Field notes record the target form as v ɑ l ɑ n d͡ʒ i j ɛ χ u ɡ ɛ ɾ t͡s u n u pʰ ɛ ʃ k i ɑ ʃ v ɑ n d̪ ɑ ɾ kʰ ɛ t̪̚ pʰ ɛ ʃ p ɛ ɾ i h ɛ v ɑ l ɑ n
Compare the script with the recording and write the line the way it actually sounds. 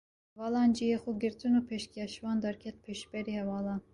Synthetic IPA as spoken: v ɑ l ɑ n d͡ʒ i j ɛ χ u ɡ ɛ ɾ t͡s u n u pʰ ɛ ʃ k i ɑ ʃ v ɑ n d̪ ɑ ɾ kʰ ɛ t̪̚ pʰ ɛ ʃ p ɛ ɾ i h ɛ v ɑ l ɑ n